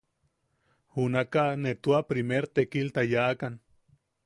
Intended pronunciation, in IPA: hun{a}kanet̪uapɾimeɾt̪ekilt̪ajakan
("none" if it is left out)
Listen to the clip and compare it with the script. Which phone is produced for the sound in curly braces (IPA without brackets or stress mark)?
a